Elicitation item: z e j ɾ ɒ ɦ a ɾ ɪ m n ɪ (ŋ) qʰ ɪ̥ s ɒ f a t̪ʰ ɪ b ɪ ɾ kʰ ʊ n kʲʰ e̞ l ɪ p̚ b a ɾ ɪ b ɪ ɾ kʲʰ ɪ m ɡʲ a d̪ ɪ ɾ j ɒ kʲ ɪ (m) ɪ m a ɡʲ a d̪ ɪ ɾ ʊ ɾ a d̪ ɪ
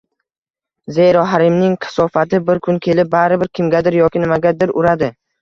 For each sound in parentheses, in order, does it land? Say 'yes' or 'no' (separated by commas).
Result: yes, no